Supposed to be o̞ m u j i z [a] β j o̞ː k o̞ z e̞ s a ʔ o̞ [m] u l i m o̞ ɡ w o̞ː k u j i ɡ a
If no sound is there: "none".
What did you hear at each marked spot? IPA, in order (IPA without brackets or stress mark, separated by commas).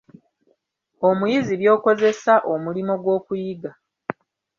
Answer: i, m